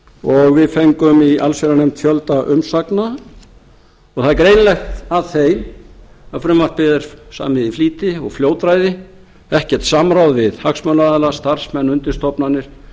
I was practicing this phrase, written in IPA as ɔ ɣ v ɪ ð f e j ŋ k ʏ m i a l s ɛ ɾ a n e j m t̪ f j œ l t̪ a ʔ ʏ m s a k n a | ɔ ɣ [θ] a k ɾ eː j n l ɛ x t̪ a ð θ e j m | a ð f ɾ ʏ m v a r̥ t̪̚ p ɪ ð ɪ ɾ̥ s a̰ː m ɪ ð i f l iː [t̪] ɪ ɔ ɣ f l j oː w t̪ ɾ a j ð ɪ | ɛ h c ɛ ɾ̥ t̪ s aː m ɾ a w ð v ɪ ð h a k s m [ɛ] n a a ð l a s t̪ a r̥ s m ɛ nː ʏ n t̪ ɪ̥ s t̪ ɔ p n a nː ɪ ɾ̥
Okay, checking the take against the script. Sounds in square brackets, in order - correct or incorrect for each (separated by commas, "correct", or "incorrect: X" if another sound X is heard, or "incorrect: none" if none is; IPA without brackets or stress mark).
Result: correct, correct, incorrect: œ